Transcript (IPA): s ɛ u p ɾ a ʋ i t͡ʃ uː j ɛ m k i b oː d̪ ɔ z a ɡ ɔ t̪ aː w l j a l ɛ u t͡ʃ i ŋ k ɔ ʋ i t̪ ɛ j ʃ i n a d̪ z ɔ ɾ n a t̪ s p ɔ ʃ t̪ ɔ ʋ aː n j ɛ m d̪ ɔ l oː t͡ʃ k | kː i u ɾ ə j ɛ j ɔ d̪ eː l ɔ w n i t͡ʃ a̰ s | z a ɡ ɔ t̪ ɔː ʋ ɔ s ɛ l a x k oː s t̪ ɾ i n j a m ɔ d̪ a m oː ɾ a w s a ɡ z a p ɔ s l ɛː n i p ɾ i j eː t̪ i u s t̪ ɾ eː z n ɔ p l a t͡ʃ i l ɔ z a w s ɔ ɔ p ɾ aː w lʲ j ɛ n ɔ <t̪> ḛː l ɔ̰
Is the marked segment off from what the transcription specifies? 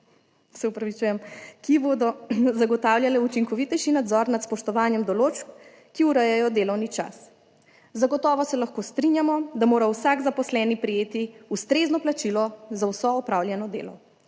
yes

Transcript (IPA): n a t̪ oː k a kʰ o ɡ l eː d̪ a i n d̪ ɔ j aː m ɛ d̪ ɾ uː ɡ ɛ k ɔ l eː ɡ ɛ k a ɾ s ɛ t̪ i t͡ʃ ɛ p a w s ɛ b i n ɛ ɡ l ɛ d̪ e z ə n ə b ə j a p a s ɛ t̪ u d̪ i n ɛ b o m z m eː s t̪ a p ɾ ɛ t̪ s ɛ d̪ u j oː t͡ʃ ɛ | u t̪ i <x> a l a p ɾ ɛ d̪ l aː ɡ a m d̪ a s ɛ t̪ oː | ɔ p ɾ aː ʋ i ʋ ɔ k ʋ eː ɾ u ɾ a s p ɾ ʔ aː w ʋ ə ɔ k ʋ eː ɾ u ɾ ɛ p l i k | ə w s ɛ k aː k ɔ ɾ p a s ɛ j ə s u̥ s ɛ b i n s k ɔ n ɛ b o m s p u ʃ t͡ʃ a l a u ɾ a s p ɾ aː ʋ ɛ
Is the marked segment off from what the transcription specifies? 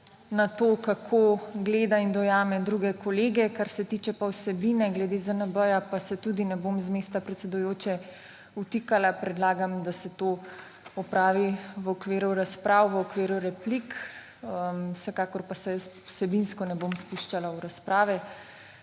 yes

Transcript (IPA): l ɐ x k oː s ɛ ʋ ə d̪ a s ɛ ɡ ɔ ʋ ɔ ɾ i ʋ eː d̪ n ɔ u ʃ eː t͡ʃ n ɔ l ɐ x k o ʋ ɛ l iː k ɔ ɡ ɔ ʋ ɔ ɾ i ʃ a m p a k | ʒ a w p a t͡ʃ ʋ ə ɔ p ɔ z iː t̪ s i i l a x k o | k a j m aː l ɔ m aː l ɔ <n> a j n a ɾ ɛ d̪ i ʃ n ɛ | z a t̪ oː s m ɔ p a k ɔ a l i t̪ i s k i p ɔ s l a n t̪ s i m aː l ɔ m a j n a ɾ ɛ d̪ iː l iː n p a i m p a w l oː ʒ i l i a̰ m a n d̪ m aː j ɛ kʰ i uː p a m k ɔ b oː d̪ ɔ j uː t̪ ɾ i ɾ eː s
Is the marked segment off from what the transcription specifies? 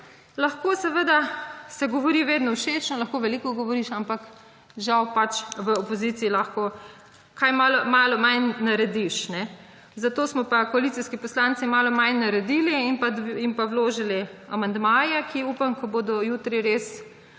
yes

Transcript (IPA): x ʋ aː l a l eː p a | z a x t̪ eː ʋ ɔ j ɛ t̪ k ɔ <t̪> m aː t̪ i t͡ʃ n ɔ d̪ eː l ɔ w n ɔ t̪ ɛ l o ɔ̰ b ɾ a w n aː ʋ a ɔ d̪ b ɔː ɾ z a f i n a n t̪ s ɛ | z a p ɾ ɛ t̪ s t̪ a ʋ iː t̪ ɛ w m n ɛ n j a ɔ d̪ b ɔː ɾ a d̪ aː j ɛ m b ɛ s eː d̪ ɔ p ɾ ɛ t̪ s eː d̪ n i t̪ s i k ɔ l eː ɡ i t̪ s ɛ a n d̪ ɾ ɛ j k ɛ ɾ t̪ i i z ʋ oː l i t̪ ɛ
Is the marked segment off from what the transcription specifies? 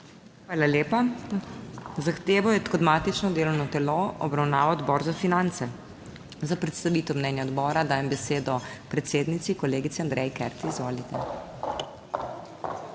yes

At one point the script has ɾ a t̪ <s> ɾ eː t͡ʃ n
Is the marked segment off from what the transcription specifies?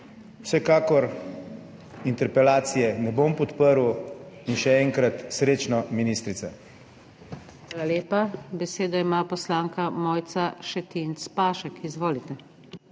no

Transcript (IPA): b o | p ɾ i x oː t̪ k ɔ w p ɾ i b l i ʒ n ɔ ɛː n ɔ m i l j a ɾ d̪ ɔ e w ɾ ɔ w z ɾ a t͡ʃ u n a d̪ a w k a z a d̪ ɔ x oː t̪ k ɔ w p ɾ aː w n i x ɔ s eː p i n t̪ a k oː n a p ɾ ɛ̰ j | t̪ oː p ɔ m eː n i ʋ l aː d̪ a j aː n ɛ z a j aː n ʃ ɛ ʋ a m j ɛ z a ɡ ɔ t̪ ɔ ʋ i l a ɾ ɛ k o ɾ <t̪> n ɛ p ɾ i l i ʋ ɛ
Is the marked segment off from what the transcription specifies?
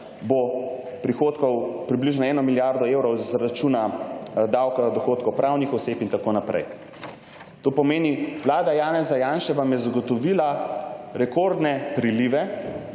yes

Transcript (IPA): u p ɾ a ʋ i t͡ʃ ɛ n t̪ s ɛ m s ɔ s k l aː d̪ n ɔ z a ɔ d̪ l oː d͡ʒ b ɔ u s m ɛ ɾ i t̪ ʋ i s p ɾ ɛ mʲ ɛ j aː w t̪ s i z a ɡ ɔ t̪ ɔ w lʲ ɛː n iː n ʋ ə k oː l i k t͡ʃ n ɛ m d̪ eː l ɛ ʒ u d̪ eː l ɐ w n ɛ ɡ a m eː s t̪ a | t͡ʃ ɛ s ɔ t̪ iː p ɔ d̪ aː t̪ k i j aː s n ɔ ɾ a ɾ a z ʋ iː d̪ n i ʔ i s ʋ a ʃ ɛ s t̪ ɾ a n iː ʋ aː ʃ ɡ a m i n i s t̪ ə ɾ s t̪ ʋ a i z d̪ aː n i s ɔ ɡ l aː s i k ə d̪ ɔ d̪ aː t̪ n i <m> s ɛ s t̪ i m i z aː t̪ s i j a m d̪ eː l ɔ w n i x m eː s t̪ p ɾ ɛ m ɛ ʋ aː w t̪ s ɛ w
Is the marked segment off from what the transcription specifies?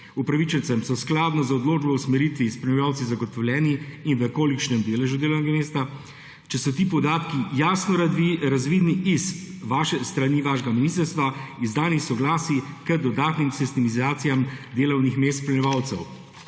no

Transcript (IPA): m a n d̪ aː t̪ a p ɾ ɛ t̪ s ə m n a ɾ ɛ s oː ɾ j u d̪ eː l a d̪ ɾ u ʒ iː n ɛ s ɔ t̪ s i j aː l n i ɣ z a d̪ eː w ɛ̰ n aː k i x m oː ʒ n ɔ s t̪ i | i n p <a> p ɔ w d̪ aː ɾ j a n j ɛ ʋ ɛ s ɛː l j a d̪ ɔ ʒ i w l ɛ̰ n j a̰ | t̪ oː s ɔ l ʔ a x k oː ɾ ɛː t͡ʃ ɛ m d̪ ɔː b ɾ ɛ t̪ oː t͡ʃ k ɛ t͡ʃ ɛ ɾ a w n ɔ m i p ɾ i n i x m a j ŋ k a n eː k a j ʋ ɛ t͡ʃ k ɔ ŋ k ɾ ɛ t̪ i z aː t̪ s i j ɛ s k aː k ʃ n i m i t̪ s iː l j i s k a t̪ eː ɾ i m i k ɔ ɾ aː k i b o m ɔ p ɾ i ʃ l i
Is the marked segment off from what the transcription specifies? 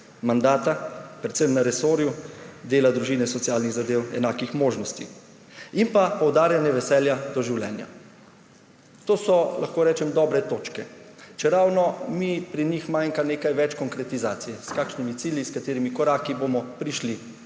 no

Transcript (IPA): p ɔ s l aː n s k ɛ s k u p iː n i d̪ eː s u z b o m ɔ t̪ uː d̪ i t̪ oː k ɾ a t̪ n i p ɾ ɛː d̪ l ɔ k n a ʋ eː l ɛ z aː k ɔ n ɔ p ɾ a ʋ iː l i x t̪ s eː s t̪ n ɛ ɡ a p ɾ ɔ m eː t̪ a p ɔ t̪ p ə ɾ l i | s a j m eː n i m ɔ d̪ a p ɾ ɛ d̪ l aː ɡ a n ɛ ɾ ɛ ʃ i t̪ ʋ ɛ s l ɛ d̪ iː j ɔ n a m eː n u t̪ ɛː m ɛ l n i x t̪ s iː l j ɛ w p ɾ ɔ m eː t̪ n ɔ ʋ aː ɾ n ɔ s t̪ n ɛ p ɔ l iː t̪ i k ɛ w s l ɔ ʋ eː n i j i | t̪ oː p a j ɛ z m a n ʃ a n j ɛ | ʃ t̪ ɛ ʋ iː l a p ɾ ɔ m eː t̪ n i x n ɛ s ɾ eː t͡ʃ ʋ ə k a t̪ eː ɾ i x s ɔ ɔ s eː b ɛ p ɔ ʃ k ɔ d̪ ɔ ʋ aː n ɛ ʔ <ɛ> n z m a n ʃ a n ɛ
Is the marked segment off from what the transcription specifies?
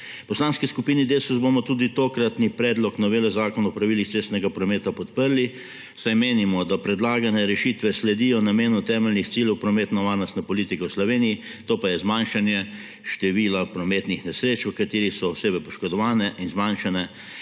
yes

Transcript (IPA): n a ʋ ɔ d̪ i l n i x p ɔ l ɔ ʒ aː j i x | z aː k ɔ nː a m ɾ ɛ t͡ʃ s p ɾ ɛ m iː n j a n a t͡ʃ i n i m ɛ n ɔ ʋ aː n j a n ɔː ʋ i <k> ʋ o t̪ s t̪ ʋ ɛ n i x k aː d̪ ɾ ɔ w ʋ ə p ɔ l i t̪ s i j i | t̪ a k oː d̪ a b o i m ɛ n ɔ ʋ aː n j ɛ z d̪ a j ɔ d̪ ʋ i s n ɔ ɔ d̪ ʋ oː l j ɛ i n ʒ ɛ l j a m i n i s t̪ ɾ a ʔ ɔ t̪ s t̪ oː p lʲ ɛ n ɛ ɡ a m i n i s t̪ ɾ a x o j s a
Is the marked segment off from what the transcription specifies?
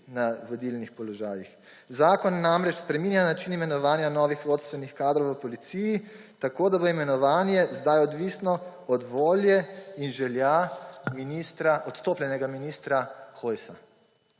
yes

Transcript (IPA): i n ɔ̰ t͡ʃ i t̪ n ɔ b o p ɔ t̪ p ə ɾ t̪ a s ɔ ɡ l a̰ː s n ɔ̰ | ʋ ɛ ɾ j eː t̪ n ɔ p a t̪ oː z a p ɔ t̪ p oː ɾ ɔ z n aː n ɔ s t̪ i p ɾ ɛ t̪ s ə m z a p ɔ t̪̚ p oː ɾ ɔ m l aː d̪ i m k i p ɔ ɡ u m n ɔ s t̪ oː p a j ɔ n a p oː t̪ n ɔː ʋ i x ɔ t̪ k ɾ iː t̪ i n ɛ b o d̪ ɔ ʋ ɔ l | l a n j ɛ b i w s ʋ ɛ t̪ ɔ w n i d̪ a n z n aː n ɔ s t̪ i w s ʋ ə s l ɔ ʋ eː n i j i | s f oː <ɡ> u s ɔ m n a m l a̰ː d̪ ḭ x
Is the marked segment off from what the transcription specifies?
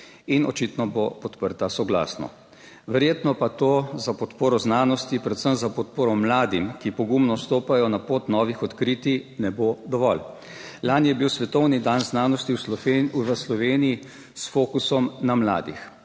yes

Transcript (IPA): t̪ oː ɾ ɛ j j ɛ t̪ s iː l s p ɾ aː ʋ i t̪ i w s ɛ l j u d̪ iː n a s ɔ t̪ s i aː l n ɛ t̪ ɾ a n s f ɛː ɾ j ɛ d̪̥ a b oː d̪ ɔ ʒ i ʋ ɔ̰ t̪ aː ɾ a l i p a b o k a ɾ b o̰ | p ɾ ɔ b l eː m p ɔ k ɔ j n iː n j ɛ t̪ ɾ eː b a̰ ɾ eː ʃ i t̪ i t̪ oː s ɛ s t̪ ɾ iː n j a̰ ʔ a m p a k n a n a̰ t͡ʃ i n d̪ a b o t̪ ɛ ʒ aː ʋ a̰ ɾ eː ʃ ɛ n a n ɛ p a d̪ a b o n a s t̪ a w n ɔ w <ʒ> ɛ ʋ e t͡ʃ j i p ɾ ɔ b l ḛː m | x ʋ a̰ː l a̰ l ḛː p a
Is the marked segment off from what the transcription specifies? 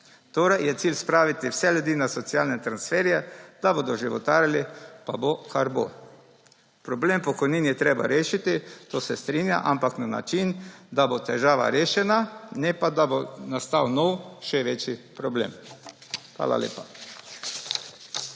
yes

